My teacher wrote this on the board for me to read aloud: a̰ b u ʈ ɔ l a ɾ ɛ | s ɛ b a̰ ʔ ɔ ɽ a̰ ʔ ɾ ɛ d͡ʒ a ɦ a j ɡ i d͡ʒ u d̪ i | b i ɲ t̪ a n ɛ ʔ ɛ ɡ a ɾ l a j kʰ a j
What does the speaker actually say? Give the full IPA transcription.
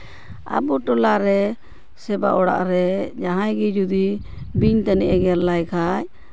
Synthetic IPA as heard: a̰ b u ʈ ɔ l a ɾ ɛ | s ɛ b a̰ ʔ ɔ ɽ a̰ ʔ ɾ ɛ d͡ʒ a ɦ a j ɡ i d͡ʒ u d̪ i | b i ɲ t̪ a n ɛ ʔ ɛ ɡ ɛ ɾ l a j kʰ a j